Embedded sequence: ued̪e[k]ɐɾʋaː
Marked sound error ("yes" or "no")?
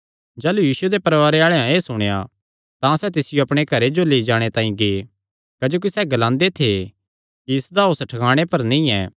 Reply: yes